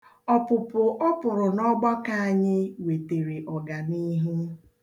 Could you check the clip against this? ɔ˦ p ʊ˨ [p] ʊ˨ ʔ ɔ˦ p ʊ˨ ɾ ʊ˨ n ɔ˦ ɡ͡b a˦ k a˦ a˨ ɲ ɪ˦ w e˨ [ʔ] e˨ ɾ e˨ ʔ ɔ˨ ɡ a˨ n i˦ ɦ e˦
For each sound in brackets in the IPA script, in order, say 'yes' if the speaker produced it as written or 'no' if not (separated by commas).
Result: yes, no